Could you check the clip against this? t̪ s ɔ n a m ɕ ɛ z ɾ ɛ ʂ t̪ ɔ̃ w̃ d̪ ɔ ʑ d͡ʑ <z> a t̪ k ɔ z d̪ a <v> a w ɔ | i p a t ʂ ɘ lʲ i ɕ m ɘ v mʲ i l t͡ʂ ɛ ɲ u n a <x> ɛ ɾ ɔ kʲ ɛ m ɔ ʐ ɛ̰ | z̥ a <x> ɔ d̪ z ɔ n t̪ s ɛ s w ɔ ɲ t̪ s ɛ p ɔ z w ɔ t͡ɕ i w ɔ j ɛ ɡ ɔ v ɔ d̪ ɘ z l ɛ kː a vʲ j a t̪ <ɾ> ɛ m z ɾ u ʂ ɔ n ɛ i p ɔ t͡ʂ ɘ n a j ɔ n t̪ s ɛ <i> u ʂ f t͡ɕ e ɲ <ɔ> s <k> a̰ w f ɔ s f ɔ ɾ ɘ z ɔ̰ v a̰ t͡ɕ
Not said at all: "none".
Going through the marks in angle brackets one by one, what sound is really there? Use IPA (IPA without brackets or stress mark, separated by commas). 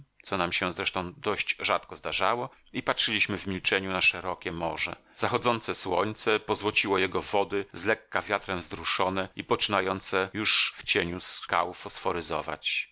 ʐ, ʐ, ʂ, x, ɾ, j, u, k